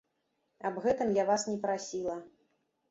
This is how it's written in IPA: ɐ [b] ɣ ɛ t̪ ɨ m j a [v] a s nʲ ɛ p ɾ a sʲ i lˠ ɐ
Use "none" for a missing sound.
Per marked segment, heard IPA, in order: b, v

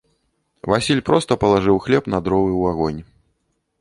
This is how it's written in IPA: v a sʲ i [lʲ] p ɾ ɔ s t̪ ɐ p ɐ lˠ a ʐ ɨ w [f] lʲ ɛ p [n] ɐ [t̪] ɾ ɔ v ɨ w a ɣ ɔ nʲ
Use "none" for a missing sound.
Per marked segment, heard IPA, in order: lʲ, x, n, d̪

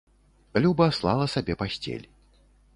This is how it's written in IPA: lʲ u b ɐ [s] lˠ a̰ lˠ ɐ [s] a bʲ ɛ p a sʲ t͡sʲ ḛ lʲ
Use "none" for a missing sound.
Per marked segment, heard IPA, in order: s, s

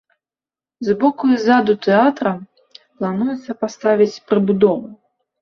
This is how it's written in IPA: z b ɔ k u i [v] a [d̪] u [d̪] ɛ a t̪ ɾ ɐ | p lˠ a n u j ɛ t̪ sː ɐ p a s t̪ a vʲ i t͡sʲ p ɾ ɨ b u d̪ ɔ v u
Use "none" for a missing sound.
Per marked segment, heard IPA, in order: z, d̪, t̪

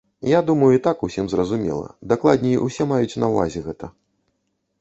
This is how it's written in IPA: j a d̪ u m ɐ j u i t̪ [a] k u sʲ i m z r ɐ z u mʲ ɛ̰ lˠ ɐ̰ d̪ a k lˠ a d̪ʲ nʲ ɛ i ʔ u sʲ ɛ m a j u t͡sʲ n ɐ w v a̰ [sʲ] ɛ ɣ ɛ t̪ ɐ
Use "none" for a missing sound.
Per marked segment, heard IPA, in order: a, zʲ

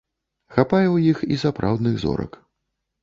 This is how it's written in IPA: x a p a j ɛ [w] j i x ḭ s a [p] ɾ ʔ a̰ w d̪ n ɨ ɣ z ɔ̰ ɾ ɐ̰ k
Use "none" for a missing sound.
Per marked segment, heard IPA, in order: w, p

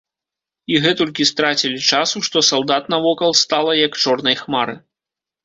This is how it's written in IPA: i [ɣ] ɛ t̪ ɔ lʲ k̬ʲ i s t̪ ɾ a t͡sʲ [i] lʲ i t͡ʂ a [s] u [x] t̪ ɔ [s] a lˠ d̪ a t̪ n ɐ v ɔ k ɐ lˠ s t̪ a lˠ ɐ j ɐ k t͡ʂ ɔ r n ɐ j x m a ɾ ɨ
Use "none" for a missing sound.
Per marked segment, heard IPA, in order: ɣ, i, s, ʂ, s

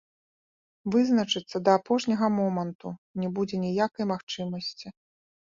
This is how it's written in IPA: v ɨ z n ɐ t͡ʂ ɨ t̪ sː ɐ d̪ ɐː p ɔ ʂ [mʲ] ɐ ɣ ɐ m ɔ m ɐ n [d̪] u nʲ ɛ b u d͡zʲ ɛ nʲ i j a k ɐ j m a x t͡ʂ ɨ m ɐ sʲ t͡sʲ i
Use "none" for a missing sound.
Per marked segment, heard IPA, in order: nʲ, t̪

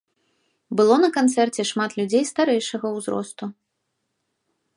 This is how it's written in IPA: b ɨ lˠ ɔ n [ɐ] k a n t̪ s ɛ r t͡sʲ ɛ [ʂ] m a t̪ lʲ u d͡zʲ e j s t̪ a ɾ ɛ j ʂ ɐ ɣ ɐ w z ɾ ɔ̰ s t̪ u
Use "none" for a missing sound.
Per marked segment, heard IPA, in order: ɐ, ʂ

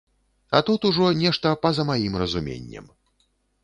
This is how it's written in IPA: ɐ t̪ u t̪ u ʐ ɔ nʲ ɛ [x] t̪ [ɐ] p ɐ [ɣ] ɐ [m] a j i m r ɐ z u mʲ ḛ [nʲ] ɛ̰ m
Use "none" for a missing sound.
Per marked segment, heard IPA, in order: ʂ, ɐ, z, m, nʲː

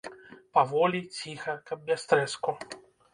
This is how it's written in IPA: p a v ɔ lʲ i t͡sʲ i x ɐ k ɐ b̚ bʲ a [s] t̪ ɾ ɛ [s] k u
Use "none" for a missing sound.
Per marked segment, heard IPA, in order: s, s

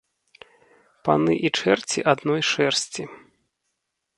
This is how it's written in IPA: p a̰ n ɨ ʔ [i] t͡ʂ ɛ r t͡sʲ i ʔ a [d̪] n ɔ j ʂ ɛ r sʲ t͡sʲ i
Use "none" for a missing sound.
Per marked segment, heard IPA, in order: i, d̪

